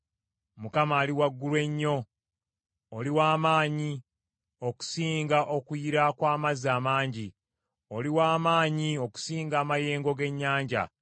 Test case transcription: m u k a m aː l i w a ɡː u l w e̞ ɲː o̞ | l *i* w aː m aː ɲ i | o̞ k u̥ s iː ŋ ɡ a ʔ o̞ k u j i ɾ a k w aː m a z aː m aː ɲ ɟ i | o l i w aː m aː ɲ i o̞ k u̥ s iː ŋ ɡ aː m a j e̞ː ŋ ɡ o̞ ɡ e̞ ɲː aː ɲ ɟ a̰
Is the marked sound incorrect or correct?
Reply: correct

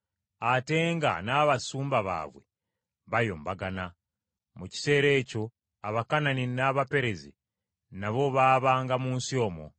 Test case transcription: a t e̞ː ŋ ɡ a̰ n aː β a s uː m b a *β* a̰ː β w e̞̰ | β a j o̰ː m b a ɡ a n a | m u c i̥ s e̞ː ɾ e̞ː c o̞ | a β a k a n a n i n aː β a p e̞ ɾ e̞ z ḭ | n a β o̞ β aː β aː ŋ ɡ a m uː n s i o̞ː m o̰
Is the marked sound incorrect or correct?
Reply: correct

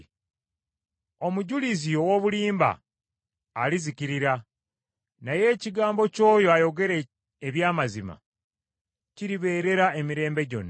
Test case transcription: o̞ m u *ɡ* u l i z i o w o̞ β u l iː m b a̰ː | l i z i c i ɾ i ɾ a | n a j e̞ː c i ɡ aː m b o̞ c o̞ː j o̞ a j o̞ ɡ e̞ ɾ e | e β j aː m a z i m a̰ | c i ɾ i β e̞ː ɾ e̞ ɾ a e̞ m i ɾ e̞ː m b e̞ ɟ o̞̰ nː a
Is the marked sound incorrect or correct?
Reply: incorrect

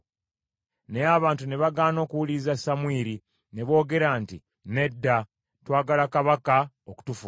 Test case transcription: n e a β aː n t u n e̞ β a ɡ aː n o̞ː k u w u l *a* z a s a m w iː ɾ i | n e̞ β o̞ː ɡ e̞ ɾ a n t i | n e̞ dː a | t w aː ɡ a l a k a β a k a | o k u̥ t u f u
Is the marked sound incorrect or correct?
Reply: incorrect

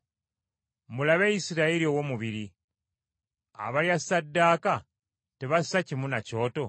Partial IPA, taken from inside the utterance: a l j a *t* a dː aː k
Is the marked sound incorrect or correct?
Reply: incorrect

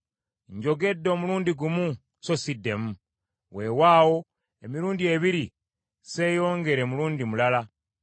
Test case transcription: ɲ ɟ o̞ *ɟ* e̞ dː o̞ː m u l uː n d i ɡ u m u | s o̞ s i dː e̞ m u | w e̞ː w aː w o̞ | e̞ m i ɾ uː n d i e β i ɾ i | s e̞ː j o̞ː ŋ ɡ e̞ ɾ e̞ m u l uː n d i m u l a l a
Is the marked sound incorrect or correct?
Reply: incorrect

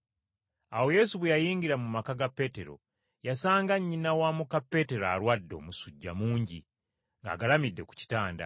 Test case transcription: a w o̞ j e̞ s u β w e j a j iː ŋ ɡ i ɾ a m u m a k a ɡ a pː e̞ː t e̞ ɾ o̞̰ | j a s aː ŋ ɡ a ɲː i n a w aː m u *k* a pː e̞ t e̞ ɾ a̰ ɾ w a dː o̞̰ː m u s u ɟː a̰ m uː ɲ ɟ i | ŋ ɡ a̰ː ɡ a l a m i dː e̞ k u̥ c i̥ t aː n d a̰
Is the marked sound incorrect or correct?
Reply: correct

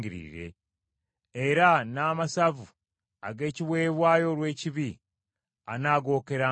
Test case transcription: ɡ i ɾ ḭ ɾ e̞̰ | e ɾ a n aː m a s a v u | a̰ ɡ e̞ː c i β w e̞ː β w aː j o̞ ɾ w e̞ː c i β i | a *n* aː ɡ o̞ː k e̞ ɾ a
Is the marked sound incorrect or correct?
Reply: correct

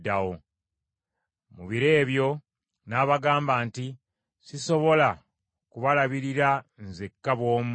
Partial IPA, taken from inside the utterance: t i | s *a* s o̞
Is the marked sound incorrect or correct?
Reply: incorrect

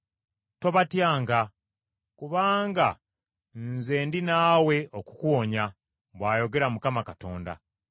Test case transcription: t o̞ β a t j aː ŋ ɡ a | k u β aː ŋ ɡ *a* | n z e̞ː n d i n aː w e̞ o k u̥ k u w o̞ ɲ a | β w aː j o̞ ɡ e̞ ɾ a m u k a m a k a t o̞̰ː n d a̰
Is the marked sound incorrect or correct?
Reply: correct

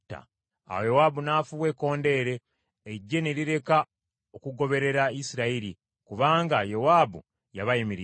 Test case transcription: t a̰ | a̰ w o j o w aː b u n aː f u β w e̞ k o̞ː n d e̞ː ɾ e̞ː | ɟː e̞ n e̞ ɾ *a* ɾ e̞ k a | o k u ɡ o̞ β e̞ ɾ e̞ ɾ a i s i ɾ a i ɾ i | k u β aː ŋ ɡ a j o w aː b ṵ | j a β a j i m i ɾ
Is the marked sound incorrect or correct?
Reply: incorrect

